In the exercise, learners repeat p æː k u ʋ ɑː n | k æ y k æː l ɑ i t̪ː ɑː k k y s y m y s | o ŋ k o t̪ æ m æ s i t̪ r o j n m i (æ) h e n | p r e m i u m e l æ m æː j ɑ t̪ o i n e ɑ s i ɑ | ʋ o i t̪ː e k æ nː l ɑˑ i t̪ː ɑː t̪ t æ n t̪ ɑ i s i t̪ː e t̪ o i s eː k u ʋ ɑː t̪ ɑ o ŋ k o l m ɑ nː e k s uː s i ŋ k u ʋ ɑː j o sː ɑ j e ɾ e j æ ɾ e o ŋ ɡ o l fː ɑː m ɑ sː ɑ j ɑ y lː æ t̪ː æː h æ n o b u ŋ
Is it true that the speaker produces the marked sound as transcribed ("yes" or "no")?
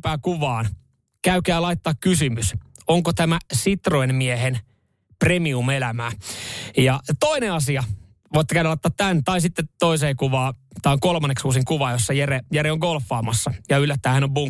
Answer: no